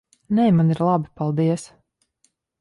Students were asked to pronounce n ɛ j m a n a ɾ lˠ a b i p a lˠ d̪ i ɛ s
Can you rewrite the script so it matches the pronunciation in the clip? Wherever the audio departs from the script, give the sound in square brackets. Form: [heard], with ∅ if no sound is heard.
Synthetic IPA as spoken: n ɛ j m a n [i] ɾ lˠ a b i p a lˠ d̪ i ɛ s